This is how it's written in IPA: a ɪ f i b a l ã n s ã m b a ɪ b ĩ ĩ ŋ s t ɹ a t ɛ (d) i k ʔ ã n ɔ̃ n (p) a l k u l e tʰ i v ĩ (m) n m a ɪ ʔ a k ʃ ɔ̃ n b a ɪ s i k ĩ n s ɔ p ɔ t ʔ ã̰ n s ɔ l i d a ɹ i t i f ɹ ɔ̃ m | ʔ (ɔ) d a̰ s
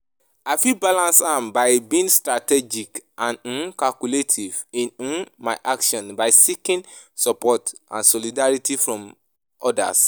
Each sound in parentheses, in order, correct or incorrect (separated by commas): incorrect, incorrect, incorrect, correct